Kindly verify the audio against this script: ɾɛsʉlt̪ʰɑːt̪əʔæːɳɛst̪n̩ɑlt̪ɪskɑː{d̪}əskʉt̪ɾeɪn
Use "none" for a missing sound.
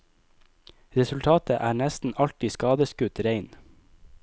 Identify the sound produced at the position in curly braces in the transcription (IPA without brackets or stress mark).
d̪